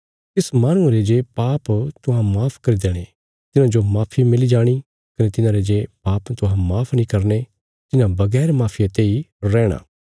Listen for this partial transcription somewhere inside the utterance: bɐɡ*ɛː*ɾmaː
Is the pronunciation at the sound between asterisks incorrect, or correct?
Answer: correct